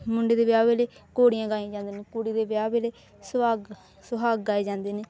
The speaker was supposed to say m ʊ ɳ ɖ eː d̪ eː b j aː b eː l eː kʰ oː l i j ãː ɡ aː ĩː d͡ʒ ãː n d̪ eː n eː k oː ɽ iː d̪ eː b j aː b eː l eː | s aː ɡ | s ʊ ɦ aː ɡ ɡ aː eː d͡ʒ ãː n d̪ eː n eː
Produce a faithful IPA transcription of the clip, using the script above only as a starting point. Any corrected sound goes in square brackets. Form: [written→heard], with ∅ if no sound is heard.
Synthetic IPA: m ʊ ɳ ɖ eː d̪ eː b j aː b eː l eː [kʰ→k] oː [l→ɽ] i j ãː ɡ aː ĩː d͡ʒ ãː n d̪ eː n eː k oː ɽ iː d̪ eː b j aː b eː l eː | s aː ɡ | s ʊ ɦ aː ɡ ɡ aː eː d͡ʒ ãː n d̪ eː n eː